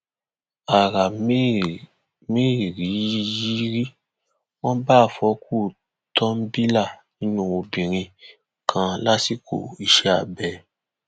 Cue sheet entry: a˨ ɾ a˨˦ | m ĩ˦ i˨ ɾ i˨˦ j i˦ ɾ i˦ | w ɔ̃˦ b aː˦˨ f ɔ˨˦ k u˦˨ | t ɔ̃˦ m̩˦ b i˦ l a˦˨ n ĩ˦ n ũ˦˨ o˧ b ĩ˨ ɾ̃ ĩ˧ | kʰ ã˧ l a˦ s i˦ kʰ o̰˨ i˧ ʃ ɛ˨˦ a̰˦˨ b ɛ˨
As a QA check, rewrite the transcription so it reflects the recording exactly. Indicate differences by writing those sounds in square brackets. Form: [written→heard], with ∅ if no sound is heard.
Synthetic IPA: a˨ ɾ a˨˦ | m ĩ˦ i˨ ɾ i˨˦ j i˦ ɾ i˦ | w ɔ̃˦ b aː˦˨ f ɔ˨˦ k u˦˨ | t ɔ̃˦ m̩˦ b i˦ l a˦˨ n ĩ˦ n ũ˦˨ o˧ b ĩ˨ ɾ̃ ĩ˧ | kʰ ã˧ l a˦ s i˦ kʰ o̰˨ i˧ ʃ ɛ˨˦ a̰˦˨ b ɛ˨